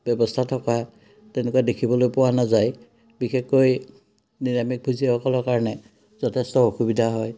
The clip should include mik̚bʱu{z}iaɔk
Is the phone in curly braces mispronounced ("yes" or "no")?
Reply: no